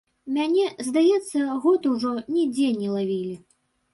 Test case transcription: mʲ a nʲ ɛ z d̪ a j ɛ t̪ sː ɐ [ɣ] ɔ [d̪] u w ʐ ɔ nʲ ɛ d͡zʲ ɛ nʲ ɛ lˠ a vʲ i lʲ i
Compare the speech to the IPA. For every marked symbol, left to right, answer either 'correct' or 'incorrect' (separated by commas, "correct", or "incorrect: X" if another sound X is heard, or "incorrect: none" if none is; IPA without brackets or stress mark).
correct, incorrect: t̪